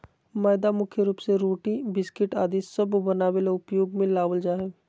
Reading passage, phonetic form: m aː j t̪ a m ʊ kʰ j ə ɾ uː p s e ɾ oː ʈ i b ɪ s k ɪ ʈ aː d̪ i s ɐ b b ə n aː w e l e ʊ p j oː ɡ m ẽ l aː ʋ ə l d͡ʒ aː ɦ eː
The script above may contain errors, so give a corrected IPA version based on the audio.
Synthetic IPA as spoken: m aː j d̪ a m ʊ kʰ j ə ɾ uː p s e ɾ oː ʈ i b ɪ s k ɪ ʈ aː d̪ i s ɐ b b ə n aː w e l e ʊ p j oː ɡ m ẽ l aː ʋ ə l d͡ʒ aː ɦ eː

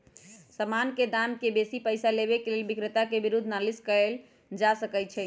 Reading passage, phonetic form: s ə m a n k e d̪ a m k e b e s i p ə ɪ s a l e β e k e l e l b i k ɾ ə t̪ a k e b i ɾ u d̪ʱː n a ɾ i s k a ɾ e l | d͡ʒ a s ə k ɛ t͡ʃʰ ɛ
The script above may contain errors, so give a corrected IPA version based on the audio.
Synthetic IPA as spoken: s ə m a n k e d̪ a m k e b e s i p ə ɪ s a l e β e k e l e l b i k ɾ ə t̪ a k e b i ɾ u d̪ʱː n a l i s k ə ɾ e l | d͡ʒ a s ə k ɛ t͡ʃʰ ɛ

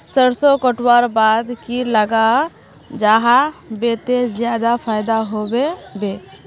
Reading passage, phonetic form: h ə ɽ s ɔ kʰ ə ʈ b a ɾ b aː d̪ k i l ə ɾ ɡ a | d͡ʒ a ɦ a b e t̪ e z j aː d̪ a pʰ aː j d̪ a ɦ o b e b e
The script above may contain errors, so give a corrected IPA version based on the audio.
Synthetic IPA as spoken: s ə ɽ s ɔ k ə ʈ w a ɾ b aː d̪ k i l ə ɡ a | d͡ʒ a ɦ a b e t̪ e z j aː d̪ a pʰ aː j d̪ a ɦ o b e b e

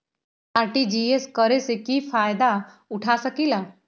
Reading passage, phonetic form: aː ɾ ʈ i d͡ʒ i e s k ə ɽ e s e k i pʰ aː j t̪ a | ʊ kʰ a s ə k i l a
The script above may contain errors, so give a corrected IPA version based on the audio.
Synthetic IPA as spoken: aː ɾ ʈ i d͡ʒ i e s k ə ɾ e s e k i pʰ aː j d̪ a | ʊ ʈʰ a s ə k i l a

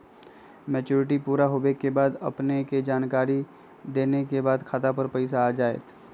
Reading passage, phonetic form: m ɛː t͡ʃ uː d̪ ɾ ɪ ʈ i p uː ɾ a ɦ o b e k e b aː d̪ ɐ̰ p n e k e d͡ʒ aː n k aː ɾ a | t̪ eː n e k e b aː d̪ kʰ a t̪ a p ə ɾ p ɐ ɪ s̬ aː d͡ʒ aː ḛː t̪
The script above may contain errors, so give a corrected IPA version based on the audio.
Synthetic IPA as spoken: m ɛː t͡ʃ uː ɾ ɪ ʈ i p uː ɾ a ɦ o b e k e b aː d̪ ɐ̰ p n e k e d͡ʒ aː n k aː ɾ i | d̪ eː n e k e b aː d̪ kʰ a t̪ a p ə ɾ p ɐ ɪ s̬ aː d͡ʒ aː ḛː t̪

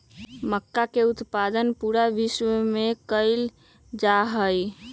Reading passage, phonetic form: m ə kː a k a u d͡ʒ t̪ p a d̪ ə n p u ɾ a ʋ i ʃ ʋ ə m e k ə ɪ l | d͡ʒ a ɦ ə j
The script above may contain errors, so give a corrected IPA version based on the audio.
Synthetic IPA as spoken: m ə kː a k e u t̪ p a d̪ ə n p u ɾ a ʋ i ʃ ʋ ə m e k ə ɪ l | d͡ʒ a ɦ ə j

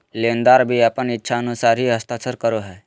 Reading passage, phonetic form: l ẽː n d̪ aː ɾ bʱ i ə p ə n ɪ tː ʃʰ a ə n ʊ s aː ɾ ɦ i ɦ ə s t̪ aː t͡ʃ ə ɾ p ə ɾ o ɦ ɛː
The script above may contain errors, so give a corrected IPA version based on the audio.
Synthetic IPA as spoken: l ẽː n d̪ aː ɾ bʱ i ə p ə n ɪ tː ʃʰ a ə n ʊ s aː ɾ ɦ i ɦ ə s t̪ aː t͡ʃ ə ɾ k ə ɾ o ɦ ɛː

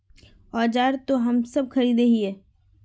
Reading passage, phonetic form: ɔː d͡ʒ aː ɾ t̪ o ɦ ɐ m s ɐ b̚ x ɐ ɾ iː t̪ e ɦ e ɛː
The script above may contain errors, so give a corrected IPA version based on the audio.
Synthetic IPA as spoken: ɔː d͡ʒ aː ɾ t̪ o ɦ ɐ m s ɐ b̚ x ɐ ɾ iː d̪ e ɦ i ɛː

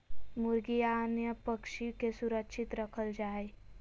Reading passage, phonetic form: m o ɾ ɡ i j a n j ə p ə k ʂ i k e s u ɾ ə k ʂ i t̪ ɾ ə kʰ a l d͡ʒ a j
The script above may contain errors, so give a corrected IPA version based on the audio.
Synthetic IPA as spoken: m u ɾ ɡ i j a n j ə p ə k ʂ i k e s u ɾ ə k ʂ i t̪ ɾ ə kʰ ə l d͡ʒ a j

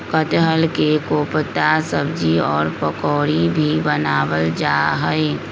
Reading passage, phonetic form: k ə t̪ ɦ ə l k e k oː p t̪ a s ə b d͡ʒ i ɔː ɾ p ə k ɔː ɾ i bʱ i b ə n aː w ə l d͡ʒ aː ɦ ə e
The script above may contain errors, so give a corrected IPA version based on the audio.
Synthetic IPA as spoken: k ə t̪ ɦ ə l k e k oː p t̪ a s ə b d͡ʒ i ɔː ɾ p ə k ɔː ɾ i bʱ i b ə n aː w ə l d͡ʒ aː ɦ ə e

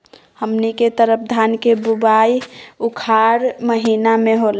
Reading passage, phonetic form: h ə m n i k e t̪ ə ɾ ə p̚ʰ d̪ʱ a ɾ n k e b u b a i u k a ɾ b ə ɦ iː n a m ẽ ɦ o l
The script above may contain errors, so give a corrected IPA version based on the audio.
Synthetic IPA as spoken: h ə m n i k e t̪ ə ɾ ə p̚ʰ d̪ʱ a n k e b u b a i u kʰ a ɾ m ə ɦ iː n a m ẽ ɦ o l

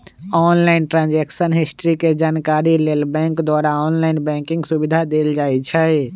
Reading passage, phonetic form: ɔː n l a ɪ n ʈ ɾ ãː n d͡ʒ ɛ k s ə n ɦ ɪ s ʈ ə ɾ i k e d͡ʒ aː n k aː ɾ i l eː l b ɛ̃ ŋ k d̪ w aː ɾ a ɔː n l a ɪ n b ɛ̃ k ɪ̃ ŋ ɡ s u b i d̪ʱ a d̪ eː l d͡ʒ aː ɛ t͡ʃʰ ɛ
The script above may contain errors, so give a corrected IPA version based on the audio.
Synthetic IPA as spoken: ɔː n l a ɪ n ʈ ɾ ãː n d͡ʒ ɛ k s ə n ɦ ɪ s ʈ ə ɾ i k e d͡ʒ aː n k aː ɾ i l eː l b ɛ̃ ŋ k d̪ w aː ɾ a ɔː n l a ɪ n b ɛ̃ k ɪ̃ ŋ ɡ s u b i d̪ʱ a d̪ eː l d͡ʒ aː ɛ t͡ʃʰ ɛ

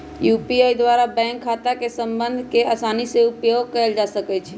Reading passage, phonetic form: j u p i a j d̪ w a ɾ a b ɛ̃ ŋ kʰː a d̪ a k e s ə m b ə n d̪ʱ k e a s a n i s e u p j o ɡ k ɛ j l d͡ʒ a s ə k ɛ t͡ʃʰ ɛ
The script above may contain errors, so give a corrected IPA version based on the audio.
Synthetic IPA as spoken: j u p i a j d̪ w a ɾ a b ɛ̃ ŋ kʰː a t̪ a k e s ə m b ə n d̪ʱ k e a s a n i s e u p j o ɡ k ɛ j l d͡ʒ a s ə k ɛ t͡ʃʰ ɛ

